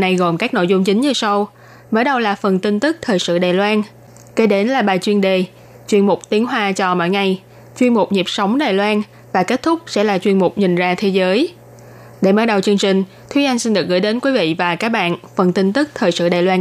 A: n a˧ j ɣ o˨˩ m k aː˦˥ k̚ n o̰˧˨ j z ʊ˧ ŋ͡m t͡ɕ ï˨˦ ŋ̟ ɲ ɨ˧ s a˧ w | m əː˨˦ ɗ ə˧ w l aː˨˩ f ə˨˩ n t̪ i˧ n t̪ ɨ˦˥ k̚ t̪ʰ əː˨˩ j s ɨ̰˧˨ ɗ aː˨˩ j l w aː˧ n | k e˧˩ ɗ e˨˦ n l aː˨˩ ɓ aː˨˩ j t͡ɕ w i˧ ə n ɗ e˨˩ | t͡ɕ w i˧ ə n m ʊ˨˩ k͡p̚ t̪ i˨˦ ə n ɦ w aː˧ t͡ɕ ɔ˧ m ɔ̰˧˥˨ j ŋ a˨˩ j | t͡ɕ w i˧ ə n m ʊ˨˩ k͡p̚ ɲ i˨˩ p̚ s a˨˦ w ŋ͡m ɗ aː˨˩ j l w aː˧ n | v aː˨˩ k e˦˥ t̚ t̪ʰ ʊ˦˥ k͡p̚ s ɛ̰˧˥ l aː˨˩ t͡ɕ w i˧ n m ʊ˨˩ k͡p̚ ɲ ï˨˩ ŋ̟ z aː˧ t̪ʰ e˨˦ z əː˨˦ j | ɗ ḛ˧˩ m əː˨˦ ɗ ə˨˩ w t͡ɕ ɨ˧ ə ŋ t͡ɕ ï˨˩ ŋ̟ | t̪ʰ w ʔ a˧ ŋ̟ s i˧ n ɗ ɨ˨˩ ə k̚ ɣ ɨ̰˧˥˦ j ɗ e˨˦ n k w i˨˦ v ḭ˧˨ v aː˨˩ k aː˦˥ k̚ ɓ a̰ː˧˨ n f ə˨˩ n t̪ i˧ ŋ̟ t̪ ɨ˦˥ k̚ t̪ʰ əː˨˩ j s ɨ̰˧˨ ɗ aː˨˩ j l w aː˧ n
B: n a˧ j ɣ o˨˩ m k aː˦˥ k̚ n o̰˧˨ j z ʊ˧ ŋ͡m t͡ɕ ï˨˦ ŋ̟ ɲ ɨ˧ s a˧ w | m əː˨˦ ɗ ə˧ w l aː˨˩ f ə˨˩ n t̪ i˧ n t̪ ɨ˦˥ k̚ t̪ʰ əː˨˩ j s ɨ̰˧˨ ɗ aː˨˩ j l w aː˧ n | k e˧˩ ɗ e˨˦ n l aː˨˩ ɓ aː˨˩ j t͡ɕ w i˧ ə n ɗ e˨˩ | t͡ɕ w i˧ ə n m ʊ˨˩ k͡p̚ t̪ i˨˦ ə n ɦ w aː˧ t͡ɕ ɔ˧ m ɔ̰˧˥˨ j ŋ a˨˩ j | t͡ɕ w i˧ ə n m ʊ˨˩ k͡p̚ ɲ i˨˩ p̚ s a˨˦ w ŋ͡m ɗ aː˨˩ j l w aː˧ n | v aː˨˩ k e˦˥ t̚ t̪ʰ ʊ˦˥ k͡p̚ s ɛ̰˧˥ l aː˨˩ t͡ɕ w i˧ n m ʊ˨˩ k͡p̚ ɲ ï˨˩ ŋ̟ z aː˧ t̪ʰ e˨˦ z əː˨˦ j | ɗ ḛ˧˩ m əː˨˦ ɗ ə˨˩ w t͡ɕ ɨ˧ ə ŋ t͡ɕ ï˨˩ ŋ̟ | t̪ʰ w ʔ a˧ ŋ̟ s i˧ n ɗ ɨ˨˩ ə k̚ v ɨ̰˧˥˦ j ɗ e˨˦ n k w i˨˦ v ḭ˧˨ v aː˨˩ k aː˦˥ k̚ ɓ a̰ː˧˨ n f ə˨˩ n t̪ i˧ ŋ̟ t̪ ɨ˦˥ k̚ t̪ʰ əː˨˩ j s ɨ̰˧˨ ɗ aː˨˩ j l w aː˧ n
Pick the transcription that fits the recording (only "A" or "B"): A